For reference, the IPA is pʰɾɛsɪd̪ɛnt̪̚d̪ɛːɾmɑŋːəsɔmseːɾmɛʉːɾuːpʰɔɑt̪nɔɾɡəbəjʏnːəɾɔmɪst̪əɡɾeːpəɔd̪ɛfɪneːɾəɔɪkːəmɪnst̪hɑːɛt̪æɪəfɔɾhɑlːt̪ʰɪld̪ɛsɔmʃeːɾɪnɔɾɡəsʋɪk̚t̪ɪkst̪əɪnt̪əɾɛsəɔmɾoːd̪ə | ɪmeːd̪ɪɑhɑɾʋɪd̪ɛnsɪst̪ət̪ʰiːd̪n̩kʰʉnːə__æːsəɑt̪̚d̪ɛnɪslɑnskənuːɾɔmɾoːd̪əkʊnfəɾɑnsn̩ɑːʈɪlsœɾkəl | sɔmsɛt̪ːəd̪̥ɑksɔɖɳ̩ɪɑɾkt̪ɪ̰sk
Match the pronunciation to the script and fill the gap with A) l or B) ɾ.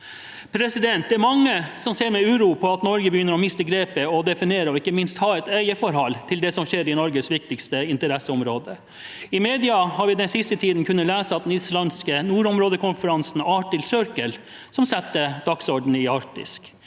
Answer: A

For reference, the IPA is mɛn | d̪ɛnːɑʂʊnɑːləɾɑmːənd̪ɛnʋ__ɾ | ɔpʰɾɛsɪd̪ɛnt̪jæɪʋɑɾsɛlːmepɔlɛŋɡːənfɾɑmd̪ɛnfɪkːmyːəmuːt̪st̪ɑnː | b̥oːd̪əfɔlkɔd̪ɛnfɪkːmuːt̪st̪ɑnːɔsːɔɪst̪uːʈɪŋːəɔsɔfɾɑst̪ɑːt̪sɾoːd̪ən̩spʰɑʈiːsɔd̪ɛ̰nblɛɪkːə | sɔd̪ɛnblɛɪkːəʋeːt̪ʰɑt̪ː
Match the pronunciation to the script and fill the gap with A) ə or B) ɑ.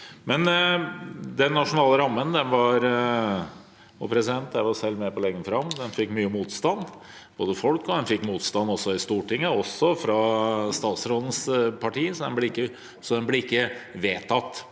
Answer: B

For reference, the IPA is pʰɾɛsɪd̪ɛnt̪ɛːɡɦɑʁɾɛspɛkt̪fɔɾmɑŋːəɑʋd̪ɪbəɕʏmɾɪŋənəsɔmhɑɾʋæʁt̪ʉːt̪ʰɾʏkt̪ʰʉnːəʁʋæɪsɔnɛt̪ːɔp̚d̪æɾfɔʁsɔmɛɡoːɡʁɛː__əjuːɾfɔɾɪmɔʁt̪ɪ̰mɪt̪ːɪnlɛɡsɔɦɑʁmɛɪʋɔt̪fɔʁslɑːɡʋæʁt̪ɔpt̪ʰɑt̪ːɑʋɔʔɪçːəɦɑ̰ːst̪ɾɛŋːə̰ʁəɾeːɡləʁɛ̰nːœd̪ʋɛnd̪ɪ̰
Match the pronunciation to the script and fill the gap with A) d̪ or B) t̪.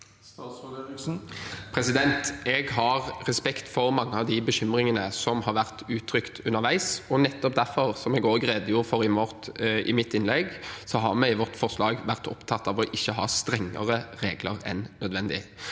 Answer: A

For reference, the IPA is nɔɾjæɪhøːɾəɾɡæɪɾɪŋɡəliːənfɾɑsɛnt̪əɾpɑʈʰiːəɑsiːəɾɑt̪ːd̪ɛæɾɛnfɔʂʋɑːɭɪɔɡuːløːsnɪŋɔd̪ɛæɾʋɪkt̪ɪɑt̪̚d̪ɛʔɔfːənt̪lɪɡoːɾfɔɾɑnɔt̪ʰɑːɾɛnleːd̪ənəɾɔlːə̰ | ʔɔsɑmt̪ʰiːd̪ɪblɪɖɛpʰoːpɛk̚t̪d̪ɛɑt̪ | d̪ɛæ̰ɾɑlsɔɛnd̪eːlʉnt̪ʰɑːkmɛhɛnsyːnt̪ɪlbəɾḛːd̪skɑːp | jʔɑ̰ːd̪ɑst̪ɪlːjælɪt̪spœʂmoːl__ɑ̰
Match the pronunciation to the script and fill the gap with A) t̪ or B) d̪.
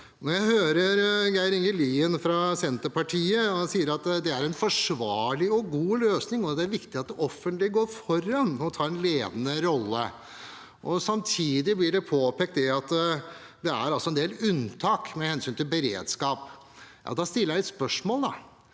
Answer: B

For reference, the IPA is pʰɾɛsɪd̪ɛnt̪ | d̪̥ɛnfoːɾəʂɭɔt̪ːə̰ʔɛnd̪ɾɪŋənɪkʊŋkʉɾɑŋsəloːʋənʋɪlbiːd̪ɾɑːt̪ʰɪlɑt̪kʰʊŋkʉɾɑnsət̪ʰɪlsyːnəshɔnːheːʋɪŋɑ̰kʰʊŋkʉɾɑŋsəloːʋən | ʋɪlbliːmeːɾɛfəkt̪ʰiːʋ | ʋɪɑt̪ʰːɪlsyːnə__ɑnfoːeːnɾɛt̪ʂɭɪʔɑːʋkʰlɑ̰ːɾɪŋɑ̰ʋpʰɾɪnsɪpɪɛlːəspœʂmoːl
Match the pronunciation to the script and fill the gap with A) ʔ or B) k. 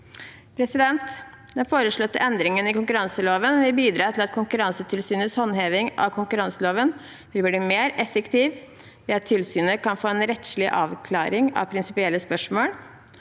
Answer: B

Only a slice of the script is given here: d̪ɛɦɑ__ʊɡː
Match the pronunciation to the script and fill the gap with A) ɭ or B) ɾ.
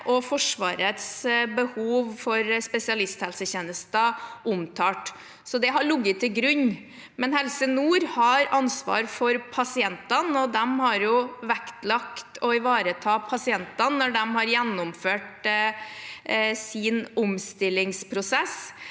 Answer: A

